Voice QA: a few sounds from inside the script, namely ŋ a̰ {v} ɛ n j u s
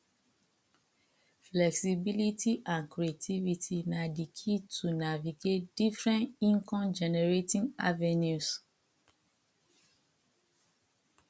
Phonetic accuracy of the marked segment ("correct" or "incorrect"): correct